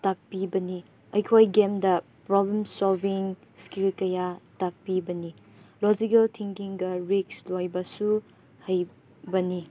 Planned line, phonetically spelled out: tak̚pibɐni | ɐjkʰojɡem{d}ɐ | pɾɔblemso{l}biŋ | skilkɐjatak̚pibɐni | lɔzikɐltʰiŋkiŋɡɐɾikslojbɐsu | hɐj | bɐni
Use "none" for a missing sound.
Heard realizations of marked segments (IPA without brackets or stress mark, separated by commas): d, l